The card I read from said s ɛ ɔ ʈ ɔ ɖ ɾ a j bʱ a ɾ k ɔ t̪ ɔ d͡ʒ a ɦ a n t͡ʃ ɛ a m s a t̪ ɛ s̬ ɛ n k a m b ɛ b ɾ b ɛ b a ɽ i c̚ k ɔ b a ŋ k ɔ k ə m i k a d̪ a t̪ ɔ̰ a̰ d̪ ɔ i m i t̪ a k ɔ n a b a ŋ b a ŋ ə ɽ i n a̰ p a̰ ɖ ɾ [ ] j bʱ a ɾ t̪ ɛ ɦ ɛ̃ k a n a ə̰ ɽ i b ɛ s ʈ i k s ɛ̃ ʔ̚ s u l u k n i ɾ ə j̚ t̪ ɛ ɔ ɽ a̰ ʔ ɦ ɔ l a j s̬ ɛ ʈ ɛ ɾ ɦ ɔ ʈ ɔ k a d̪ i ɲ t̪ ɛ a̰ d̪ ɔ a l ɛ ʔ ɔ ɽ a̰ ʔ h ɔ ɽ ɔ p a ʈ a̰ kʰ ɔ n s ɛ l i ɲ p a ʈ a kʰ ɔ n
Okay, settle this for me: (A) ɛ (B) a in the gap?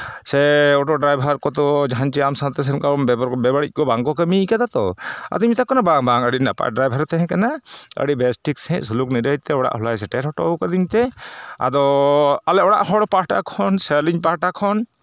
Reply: B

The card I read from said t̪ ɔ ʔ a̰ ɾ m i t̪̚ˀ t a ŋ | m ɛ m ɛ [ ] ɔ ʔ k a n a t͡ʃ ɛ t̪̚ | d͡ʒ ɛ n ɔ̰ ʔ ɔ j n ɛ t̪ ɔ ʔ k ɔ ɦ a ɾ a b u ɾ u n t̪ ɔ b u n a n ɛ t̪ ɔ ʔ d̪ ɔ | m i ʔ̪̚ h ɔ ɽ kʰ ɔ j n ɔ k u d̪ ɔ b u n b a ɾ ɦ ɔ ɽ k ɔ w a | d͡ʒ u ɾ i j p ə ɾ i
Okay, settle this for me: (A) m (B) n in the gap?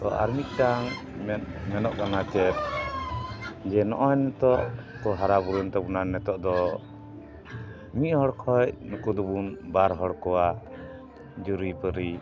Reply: B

